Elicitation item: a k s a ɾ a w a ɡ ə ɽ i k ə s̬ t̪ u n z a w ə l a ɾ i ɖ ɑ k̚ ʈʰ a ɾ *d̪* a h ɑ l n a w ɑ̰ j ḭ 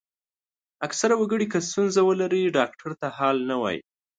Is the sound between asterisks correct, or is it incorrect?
incorrect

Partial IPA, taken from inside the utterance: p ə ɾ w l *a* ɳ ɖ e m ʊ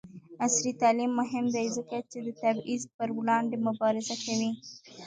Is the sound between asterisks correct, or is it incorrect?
incorrect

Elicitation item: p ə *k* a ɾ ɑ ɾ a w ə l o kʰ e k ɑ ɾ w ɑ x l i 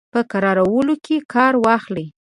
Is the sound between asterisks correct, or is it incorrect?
correct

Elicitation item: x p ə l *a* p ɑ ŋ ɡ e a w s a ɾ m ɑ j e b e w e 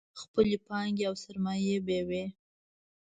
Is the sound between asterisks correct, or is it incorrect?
incorrect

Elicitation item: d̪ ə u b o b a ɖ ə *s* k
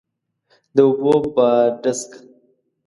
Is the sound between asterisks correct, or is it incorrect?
correct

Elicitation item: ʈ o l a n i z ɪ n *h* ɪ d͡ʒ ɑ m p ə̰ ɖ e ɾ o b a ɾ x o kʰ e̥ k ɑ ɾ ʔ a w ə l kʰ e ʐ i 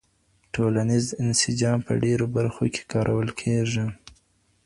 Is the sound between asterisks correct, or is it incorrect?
incorrect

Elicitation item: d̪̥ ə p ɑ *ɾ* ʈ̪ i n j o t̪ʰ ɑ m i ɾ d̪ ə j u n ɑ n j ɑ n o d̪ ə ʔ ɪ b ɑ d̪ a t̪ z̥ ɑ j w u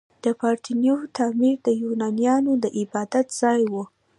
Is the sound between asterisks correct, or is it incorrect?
correct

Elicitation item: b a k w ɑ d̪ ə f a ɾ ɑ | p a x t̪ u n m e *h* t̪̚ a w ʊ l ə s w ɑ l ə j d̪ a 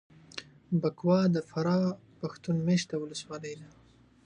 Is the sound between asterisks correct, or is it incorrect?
incorrect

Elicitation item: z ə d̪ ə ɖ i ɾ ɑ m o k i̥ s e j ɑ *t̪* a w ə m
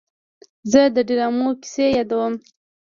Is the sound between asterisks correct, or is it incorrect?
incorrect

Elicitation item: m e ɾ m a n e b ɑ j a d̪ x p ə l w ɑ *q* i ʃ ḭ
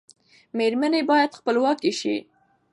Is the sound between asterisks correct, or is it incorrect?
incorrect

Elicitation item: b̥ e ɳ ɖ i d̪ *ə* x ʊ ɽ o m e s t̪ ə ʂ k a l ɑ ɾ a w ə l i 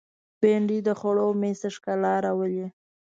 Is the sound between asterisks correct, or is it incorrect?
correct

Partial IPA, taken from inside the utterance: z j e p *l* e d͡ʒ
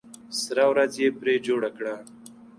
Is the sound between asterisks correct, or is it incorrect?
incorrect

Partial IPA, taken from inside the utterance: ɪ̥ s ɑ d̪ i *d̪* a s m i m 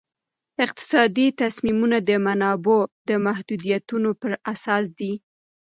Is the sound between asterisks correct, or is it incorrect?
incorrect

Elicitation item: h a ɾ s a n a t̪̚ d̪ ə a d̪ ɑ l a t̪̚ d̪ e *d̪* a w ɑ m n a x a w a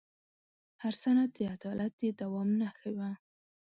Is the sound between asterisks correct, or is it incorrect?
correct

